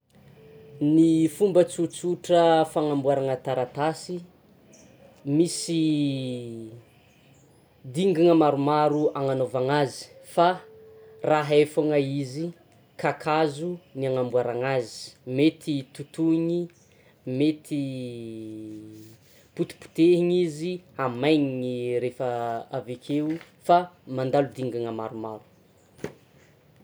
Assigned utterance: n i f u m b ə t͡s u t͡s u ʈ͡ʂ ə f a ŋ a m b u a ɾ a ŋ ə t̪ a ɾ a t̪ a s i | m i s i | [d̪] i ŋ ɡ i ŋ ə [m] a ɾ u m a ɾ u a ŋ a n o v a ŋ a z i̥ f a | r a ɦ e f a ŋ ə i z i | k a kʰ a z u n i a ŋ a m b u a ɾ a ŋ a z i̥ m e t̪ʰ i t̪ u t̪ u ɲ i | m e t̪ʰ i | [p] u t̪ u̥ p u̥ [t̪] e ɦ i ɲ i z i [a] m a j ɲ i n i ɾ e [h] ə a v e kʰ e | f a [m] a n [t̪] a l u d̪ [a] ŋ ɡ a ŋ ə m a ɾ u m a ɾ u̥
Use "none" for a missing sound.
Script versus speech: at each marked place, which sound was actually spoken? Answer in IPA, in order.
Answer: d̪, m, p, t̪, a, f, m, d̪, i

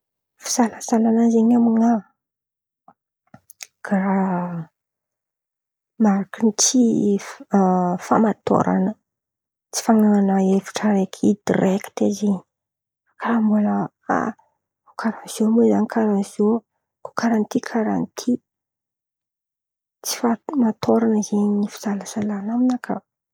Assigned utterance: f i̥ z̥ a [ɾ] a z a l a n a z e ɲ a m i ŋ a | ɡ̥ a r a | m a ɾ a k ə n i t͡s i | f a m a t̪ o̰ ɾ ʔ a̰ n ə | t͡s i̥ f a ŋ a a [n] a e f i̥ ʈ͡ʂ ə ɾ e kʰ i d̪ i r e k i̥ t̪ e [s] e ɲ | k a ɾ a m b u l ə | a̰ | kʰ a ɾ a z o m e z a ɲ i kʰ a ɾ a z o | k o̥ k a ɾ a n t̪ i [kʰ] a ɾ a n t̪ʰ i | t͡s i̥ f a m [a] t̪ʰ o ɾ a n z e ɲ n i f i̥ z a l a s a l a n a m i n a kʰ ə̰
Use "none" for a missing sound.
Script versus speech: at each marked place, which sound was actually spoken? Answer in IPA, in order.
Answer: l, n, z, kʰ, a

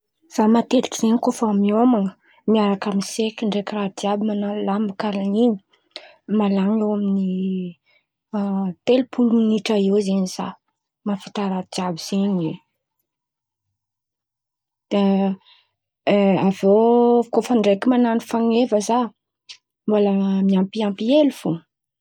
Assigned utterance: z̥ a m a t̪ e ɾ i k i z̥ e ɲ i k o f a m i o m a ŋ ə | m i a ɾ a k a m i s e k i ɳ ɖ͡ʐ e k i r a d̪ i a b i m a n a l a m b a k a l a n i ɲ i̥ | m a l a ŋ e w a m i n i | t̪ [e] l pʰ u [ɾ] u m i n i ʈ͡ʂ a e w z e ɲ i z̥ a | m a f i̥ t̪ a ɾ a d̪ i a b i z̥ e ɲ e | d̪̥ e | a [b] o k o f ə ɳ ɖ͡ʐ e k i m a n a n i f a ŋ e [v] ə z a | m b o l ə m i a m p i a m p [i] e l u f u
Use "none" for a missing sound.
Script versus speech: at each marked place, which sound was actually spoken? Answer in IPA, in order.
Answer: e, l, v, v, i

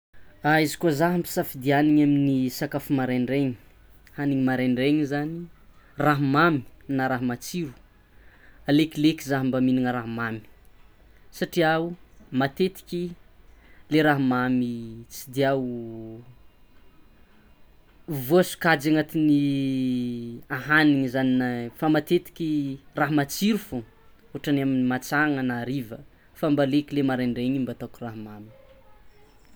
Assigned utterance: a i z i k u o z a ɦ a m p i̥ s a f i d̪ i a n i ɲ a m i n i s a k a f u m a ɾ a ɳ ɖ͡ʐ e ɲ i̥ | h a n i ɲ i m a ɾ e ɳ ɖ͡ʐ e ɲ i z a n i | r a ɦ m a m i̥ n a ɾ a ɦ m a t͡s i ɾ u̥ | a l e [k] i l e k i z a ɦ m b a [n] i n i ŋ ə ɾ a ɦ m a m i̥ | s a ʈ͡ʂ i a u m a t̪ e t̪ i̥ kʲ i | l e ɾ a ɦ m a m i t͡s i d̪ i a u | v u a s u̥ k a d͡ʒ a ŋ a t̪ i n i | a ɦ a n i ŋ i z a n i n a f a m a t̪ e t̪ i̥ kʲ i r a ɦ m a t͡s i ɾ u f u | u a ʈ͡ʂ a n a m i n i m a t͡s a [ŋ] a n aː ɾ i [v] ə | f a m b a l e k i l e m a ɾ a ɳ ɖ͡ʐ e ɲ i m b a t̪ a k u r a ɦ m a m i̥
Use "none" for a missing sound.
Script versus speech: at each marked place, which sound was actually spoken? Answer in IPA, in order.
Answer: k, m, ŋ, v

